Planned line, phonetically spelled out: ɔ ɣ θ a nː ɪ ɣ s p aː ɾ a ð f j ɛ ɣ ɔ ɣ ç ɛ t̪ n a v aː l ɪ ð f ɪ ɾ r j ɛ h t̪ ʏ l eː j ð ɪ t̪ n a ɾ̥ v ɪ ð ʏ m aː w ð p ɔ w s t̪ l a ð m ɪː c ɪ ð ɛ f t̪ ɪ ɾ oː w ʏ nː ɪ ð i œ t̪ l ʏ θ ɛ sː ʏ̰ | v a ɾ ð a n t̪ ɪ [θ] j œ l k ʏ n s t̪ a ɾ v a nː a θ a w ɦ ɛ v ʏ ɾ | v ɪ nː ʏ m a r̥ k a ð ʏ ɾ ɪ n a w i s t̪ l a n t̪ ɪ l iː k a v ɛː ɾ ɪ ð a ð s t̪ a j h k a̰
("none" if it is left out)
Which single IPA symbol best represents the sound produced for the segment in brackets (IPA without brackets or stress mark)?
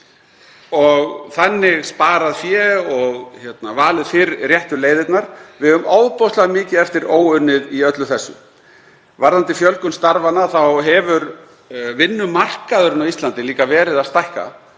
f